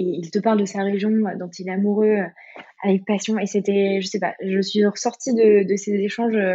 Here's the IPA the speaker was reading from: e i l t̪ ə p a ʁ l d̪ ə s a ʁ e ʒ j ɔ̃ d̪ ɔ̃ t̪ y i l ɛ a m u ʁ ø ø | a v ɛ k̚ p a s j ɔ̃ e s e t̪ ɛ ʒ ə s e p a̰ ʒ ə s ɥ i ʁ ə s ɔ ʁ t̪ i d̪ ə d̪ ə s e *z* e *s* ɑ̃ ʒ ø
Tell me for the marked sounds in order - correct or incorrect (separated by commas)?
correct, incorrect